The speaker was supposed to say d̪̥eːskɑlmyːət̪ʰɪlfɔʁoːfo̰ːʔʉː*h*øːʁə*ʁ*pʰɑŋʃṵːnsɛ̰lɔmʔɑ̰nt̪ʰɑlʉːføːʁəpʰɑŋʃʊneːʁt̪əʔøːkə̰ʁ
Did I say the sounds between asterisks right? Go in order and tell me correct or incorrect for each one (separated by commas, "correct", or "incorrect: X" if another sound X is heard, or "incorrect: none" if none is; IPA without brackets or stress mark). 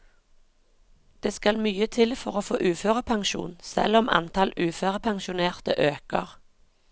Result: incorrect: f, incorrect: none